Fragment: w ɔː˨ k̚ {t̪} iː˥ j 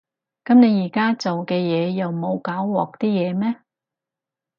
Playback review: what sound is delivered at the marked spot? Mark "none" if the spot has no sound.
t̪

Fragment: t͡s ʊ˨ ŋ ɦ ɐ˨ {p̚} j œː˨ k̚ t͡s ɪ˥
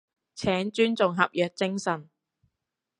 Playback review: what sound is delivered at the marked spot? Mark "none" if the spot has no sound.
p̚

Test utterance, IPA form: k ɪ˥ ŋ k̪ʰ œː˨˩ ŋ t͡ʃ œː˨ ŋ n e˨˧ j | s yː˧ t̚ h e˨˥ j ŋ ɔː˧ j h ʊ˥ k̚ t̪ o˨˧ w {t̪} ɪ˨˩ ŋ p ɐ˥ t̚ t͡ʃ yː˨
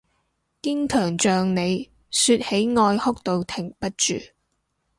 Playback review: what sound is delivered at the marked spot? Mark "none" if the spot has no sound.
t̪ʰ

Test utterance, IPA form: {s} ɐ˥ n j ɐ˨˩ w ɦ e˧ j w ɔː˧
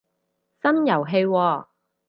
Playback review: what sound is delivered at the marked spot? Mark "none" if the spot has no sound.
s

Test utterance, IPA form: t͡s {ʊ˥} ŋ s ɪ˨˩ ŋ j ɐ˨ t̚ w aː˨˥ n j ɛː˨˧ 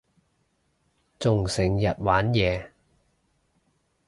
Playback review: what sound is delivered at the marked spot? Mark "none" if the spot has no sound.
ʊ˨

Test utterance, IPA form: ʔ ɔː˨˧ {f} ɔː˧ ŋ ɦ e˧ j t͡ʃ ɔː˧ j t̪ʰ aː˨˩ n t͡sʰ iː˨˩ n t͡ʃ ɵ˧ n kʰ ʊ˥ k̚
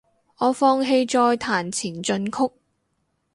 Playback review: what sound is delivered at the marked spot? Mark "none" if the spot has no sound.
f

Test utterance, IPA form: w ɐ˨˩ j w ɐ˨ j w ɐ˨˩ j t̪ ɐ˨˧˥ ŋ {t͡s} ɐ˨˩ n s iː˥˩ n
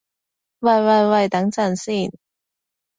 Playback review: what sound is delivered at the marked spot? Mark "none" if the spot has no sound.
t͡s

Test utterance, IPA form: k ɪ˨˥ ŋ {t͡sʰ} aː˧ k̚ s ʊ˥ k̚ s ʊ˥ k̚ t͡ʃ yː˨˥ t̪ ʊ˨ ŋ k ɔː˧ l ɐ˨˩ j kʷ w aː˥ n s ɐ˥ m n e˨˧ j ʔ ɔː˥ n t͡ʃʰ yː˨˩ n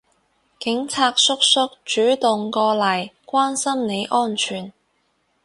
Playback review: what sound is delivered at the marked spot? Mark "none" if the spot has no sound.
t͡sʰ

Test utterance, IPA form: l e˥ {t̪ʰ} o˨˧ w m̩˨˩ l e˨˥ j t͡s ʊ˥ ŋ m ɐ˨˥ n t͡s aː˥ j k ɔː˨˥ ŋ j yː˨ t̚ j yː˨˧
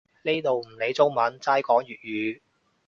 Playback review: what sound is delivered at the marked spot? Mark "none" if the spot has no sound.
t̪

